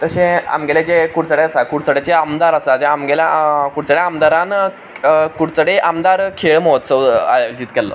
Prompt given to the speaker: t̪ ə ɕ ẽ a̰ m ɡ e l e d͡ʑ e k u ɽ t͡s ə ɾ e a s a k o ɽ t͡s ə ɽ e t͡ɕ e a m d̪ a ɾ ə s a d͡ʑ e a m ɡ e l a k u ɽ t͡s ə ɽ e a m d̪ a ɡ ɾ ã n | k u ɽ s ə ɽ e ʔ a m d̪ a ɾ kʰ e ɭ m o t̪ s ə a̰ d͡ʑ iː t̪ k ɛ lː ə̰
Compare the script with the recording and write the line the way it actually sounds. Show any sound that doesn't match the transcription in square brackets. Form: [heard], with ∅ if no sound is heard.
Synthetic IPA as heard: t̪ ə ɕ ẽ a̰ m ɡ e l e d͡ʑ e k u ɽ t͡s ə [ɽ] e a s a k [u] ɽ t͡s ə ɽ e t͡ɕ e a m d̪ a ɾ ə s a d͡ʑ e a m ɡ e l a k u ɽ t͡s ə ɽ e a m d̪ a [∅] ɾ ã n | k u ɽ [t͡s] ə ɽ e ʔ a m d̪ a ɾ kʰ e ɭ m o t̪ s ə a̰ d͡ʑ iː t̪ k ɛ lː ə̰